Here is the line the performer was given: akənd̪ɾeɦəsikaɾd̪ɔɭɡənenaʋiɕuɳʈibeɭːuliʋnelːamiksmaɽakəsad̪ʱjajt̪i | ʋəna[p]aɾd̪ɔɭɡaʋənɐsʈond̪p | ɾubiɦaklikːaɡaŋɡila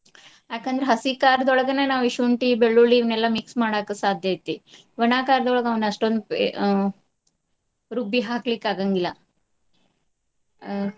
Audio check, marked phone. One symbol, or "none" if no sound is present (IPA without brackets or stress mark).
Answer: k